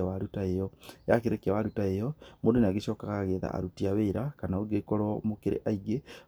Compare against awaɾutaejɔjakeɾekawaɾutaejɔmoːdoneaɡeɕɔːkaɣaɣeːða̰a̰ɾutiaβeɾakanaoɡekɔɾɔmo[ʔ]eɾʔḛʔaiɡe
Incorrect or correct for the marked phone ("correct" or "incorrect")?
incorrect